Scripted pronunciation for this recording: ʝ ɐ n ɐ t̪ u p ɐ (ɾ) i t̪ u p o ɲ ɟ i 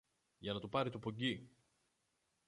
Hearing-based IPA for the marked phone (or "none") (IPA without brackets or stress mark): ɾ